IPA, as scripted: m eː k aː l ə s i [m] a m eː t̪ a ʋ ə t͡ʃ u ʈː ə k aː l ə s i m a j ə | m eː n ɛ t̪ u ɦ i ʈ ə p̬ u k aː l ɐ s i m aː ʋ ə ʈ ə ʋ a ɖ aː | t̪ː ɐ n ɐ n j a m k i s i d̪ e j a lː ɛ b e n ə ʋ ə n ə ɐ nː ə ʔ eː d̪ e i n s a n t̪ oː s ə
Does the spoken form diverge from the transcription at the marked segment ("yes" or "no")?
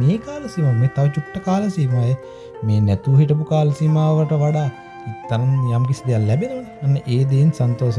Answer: no